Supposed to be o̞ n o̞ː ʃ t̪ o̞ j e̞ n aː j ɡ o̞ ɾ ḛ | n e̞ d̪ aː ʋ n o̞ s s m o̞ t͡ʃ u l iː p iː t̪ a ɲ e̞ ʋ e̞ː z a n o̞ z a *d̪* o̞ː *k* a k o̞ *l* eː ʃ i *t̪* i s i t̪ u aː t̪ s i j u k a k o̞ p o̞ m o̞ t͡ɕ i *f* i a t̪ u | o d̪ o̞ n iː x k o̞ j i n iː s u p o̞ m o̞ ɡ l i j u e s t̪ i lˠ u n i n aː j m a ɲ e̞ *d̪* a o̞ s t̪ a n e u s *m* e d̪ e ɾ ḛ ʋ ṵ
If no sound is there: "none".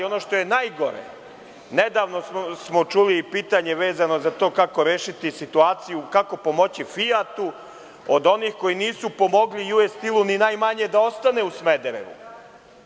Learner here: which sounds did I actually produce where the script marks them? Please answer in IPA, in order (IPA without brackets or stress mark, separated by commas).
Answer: t̪, k, ɾ, t̪, f, d̪, m